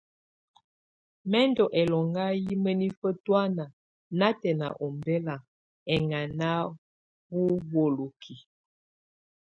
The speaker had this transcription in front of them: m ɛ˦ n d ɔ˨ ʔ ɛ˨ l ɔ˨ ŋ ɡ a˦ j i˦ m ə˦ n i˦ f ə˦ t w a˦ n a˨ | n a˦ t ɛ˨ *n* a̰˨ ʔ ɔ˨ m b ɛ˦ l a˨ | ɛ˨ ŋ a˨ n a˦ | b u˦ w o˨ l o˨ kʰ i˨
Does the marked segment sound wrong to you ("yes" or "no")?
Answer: no